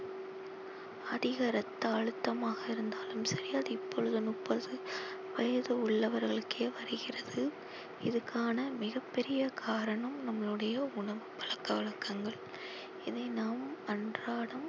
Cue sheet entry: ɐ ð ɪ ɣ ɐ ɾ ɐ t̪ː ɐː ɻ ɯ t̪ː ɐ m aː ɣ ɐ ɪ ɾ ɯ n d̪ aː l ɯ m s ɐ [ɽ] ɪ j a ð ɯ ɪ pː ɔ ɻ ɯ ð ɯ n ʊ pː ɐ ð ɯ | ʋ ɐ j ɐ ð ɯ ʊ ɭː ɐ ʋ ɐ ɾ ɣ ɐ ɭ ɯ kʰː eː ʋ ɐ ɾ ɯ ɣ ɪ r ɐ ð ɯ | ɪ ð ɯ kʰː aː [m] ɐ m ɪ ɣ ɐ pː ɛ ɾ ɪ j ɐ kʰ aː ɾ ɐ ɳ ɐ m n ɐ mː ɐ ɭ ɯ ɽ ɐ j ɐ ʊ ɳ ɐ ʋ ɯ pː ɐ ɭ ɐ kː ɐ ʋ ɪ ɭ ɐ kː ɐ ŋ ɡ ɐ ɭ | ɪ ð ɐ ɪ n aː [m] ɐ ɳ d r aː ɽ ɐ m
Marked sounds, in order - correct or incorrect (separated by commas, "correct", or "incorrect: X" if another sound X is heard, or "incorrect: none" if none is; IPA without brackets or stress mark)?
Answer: incorrect: ɾ, incorrect: n, correct